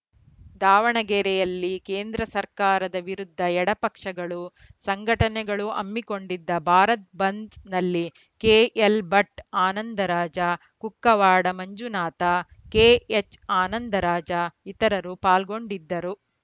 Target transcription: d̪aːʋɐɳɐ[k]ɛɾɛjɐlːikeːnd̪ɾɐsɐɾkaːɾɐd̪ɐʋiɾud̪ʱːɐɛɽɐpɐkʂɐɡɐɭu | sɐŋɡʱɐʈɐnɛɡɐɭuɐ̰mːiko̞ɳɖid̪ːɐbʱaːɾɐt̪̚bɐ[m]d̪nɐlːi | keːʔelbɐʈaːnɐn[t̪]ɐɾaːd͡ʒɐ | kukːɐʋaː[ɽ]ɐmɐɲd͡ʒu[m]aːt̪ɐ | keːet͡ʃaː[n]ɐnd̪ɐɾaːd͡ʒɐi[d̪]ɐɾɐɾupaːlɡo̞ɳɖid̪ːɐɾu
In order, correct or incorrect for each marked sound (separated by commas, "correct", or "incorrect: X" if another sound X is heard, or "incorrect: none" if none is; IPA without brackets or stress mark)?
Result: incorrect: ɡ, incorrect: n, incorrect: d̪, correct, incorrect: n, correct, incorrect: t̪